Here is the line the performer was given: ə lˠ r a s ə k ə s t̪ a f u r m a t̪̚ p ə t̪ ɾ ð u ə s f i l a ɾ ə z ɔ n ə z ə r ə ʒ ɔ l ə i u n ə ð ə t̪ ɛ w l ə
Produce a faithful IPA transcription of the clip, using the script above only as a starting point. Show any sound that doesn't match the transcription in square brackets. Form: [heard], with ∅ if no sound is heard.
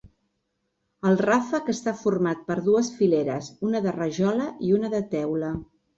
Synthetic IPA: ə lˠ r a [f] ə k ə s t̪ a f u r m a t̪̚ p ə [∅] ɾ ð u ə s f i l [e] ɾ ə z [u] n ə [ð] ə r ə ʒ ɔ l ə i u n ə ð ə t̪ ɛ w l ə

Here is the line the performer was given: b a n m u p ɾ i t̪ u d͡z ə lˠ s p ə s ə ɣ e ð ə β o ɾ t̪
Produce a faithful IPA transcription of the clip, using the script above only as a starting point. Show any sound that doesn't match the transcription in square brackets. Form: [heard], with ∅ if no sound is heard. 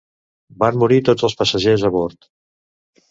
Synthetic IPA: b a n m u [∅] ɾ i t̪ [o] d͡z ə lˠ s p ə s ə [ʒ] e [z] ə β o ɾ t̪

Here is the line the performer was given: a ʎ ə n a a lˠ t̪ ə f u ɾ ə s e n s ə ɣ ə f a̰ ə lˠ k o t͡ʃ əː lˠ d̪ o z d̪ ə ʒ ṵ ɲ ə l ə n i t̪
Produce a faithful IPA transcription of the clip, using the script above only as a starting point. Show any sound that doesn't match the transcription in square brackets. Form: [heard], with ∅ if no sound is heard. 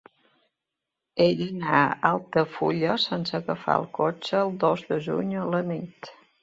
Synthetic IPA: [e] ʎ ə n a a lˠ t̪ ə f u [ʎ] ə s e n s ə ɣ ə f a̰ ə lˠ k o t͡ʃ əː lˠ d̪ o z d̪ ə ʒ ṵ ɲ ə l ə n i t̪

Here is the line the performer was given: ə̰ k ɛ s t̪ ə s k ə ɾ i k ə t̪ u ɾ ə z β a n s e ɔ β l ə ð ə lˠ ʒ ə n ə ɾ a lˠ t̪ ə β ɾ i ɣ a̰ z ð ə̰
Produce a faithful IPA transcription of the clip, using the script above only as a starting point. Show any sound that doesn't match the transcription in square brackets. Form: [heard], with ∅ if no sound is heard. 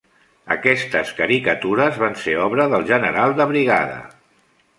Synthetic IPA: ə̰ k ɛ s t̪ ə s k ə ɾ i k ə t̪ u ɾ ə z β a n s e ɔ β [ɾ] ə ð ə lˠ ʒ ə n ə ɾ a lˠ [d̪] ə β ɾ i ɣ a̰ [∅] ð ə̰

